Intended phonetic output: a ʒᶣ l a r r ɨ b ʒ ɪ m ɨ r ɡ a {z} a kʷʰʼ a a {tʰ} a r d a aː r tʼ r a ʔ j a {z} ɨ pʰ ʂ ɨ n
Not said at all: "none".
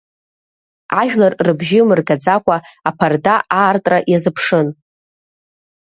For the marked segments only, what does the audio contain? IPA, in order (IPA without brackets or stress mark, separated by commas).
d͡z, pʰ, z